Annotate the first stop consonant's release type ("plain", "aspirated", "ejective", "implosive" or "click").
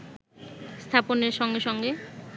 aspirated